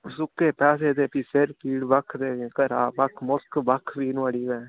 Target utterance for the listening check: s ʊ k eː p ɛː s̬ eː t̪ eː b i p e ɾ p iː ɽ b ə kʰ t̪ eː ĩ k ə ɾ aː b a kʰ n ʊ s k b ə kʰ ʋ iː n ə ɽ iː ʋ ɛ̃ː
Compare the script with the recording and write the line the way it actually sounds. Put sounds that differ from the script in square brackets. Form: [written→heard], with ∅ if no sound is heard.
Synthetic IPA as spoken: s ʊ k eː p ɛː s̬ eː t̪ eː [b→p] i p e ɾ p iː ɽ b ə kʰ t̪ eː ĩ k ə ɾ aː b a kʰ [n→m] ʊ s k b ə kʰ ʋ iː n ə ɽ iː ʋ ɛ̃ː

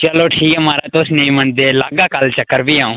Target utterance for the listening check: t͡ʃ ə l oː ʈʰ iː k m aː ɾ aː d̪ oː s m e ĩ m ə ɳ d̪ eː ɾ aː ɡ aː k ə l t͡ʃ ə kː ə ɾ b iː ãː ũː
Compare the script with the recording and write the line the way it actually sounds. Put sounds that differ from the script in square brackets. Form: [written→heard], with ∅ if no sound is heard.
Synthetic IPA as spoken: t͡ʃ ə l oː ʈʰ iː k m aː ɾ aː [d̪→t̪] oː s [m→n] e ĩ m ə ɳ d̪ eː [ɾ→l] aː ɡ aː k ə l t͡ʃ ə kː ə ɾ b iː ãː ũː

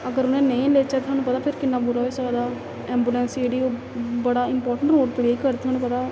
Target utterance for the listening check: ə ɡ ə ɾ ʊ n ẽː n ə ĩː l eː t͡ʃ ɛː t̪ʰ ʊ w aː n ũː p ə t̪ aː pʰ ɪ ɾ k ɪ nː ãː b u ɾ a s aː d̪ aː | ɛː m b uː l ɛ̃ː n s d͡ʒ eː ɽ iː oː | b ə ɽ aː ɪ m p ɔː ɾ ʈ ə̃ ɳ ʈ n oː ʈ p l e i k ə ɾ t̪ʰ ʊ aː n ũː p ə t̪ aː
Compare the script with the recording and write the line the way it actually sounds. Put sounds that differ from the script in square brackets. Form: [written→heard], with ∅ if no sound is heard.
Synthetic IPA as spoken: ə ɡ ə ɾ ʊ n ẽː n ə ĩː l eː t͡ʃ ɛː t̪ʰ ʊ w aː n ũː p ə t̪ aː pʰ ɪ ɾ k ɪ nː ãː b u ɾ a s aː d̪ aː | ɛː m b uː l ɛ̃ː n s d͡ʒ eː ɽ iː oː | b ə ɽ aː ɪ m p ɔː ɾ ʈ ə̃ ɳ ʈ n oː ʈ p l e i k ə ɾ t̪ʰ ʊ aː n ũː p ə t̪ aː

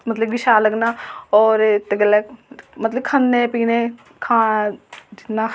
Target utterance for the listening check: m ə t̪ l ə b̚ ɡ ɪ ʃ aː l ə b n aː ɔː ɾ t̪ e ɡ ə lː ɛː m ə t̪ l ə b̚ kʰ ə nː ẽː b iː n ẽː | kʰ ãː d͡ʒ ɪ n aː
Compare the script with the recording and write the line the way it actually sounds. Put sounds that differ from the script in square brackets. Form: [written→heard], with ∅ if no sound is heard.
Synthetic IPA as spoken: m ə t̪ l ə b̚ ɡ ɪ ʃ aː l ə [b→ɡ] n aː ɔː ɾ t̪ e ɡ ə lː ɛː m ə t̪ l ə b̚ kʰ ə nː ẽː [b→p] iː n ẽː | kʰ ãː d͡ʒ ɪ n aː

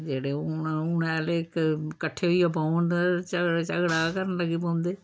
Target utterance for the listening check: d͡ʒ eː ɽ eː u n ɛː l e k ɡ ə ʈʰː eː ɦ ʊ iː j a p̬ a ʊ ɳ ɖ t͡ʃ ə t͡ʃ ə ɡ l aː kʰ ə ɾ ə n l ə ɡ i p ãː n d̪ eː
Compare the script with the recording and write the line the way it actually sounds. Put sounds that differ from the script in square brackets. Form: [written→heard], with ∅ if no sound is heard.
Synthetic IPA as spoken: d͡ʒ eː ɽ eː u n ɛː l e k [ɡ→k] ə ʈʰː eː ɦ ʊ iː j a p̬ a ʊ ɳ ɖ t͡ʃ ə t͡ʃ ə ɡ [l→ɽ] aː [kʰ→k] ə ɾ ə n l ə ɡ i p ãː n d̪ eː

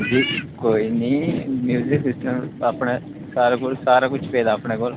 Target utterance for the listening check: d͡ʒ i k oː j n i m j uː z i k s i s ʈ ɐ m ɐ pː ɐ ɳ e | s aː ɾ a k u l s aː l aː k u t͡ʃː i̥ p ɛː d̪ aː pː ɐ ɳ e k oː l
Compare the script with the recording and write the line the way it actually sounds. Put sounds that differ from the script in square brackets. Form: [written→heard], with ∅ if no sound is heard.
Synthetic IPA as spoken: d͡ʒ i k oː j n i m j uː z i k s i s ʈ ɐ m ɐ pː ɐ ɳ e | s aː ɾ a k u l s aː [l→ɾ] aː k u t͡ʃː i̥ p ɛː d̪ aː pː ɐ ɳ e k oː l

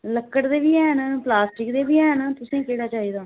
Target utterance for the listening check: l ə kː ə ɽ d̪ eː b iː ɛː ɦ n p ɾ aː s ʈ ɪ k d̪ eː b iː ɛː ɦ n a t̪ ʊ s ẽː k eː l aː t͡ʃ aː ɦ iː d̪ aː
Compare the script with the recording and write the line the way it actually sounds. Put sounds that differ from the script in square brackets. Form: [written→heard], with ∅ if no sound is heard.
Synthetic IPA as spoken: l ə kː ə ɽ d̪ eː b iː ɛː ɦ n p [ɾ→l] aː s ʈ ɪ k d̪ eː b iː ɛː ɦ n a t̪ ʊ s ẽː k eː [l→ɽ] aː t͡ʃ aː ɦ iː d̪ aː

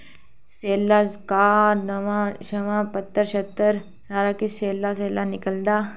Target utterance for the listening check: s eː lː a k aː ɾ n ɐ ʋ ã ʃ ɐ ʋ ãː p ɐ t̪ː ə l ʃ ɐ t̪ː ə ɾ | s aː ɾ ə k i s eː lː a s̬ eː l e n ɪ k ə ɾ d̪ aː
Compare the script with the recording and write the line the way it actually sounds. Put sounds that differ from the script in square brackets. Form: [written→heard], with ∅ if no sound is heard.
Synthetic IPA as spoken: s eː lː a k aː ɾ n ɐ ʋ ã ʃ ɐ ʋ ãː p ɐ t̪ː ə [l→ɾ] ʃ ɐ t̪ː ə ɾ | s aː ɾ [ə→a] k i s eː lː a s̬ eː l [e→a] n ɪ k ə [ɾ→l] d̪ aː

